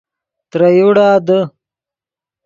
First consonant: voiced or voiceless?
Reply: voiceless